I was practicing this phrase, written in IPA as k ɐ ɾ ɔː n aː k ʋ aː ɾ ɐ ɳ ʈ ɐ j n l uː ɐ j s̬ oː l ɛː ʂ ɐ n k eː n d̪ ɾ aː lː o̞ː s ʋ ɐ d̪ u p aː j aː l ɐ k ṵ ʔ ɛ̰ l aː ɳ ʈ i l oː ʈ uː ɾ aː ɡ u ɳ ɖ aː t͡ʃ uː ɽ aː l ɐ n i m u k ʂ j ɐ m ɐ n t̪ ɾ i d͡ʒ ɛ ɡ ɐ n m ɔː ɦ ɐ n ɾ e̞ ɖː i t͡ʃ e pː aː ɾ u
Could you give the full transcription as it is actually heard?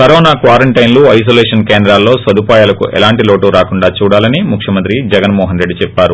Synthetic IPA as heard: k ɐ ɾ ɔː n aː k ʋ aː ɾ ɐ ɳ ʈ ɐ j n l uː ɐ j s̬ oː l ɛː ʂ ɐ n k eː n d̪ ɾ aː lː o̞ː s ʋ ɐ d̪ u p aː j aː l ɐ k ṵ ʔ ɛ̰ l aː ɳ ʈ i l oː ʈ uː ɾ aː k u ɳ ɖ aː t͡ʃ uː ɽ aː l ɐ n i m u k ʂ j ɐ m ɐ n t̪ ɾ i d͡ʒ ɛ ɡ ɐ n m ɔː ɦ ɐ n ɾ e̞ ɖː i t͡ʃ ɛ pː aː ɾ u